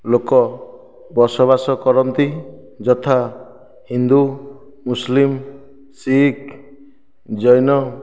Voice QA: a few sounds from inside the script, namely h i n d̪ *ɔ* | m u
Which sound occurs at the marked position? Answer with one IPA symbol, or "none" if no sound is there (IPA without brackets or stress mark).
u